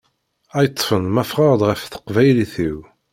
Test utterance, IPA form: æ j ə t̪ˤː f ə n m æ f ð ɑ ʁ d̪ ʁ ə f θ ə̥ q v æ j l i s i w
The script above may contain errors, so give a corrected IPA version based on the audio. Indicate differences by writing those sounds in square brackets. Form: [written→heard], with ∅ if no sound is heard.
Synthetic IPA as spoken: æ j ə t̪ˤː f ə n m æ f [ð→ʁ] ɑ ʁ d̪ ʁ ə f θ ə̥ q v æ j l i [s→θ] i w